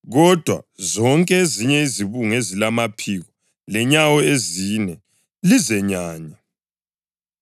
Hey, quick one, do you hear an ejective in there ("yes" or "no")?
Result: yes